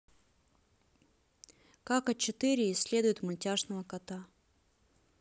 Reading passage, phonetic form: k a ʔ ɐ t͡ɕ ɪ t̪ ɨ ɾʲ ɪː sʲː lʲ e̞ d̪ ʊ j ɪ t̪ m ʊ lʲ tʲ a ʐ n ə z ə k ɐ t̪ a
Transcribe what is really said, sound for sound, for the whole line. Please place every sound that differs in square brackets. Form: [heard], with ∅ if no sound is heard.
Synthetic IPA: k a [k] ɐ t͡ɕ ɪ t̪ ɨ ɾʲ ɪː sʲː lʲ e̞ d̪ ʊ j ɪ t̪ m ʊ lʲ tʲ a ʐ n ə [v] ə k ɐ t̪ a